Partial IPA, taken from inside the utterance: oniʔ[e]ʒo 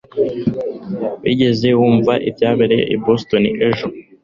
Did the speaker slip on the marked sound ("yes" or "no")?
no